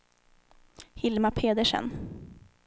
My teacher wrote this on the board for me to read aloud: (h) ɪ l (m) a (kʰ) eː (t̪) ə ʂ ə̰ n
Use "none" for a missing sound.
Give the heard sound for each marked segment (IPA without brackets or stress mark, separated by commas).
h, m, pʰ, d̪